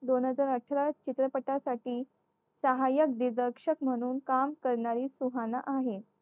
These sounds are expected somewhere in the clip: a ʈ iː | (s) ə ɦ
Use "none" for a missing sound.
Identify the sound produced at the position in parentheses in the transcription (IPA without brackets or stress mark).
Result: s